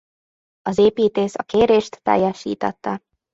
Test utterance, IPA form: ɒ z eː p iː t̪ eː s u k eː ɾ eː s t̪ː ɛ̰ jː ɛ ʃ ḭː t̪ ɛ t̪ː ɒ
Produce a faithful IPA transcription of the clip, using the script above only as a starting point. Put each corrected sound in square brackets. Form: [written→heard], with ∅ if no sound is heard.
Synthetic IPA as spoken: ɒ z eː p iː t̪ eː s [u→ɒ] k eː ɾ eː [s→ʃ] t̪ː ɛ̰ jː ɛ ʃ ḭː t̪ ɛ t̪ː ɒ